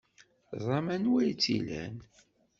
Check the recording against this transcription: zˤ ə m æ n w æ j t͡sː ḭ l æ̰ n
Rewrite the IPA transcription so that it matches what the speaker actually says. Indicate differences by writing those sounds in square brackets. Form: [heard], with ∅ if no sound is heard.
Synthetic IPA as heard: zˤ [ɑ] m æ n w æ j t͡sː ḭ l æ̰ n